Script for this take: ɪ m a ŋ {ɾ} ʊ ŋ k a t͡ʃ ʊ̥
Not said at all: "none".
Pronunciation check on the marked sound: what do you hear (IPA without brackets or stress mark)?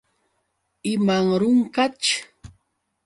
ɾ